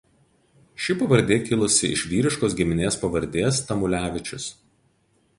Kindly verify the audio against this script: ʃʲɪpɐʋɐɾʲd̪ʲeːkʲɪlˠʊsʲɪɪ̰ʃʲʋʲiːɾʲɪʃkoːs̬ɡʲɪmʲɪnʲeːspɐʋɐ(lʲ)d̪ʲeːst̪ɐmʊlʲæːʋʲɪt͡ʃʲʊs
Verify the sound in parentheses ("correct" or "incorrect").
incorrect